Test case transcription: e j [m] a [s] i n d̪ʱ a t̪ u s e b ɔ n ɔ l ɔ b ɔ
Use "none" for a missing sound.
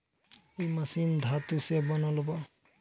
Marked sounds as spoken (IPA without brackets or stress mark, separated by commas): m, s